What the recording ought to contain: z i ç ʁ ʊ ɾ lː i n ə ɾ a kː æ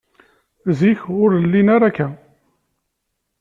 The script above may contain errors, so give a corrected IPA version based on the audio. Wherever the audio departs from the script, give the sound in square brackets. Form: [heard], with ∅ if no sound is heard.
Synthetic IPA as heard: z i ç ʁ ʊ ɾ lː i n [a] ɾ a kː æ